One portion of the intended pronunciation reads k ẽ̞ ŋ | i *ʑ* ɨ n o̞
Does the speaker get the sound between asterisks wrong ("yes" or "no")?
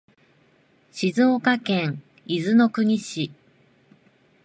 yes